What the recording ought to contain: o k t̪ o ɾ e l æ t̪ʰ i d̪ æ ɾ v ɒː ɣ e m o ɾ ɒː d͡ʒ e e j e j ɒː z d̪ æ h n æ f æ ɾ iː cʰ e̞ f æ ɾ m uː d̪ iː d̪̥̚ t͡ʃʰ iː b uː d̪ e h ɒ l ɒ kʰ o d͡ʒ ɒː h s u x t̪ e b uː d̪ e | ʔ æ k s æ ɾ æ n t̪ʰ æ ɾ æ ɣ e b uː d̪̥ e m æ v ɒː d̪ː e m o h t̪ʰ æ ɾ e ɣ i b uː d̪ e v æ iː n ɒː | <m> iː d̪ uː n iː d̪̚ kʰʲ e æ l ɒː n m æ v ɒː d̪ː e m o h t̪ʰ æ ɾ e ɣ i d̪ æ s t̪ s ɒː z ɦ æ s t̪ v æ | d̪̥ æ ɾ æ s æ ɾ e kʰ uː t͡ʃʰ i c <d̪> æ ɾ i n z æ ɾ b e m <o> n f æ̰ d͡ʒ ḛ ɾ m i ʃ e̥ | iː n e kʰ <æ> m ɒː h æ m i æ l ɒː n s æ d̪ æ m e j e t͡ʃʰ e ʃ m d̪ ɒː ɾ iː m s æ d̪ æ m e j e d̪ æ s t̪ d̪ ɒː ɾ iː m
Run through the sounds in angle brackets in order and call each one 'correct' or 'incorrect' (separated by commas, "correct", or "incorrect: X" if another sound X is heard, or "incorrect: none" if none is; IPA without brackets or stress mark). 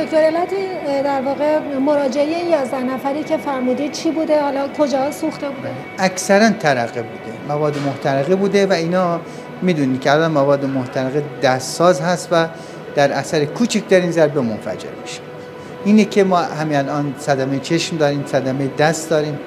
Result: correct, correct, correct, incorrect: e